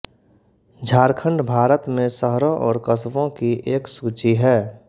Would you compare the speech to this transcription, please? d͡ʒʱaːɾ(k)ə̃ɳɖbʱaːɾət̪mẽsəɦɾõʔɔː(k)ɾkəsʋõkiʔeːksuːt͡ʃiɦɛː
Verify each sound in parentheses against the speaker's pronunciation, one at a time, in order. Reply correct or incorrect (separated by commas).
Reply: incorrect, incorrect